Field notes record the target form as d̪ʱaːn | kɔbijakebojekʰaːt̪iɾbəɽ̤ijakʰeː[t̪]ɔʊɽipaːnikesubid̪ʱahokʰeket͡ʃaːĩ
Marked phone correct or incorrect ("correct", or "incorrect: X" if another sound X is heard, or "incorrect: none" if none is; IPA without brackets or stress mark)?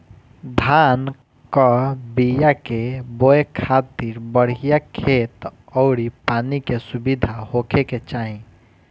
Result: correct